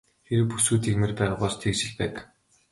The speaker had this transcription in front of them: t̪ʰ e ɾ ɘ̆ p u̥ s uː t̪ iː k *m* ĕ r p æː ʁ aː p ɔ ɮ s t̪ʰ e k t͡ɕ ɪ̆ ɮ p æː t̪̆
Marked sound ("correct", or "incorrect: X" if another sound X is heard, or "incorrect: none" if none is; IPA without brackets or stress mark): correct